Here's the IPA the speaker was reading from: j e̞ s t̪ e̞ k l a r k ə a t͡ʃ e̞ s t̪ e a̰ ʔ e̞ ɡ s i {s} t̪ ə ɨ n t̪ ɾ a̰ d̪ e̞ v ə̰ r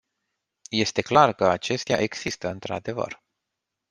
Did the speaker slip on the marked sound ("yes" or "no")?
no